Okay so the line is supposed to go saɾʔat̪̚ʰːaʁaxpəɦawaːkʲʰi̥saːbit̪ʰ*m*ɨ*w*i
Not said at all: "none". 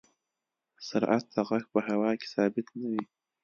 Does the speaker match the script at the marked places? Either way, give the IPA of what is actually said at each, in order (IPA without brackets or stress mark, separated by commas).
n, w